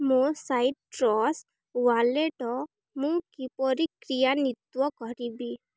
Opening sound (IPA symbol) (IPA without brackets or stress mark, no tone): m